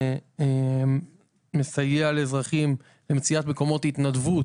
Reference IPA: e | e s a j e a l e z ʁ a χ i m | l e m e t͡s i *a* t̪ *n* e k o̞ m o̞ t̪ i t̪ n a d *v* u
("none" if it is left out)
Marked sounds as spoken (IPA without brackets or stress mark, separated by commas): a, m, v